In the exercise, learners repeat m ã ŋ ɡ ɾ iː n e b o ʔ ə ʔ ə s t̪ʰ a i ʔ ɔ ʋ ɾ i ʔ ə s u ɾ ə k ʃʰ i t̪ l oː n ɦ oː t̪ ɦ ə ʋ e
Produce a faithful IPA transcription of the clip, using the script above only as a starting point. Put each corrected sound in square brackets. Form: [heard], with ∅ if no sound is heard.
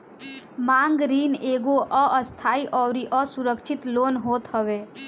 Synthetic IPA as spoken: m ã ŋ ɡ ɾ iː n e [ɡ] o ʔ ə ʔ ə s t̪ʰ a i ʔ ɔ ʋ ɾ i ʔ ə s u ɾ ə k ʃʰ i t̪ l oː n ɦ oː t̪ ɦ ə ʋ e